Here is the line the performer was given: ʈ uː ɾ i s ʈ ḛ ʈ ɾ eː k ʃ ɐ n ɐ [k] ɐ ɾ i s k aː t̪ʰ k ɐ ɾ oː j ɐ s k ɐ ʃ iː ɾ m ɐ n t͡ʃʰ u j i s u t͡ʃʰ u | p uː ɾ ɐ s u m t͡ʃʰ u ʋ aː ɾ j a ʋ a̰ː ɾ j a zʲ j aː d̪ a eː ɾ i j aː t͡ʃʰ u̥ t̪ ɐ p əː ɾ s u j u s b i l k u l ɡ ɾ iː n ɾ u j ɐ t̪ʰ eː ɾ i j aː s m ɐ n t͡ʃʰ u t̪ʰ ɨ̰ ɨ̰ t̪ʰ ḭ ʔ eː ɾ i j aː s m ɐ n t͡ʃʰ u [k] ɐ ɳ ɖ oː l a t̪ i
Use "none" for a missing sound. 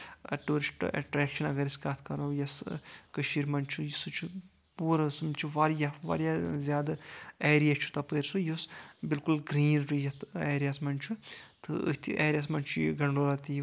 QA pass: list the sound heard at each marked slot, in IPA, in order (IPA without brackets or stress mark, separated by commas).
ɡ, ɡ